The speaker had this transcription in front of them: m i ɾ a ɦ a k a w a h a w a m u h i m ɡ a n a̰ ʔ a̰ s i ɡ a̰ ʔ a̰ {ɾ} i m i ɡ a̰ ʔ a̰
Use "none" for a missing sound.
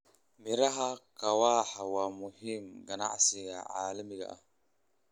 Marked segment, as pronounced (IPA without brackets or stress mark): l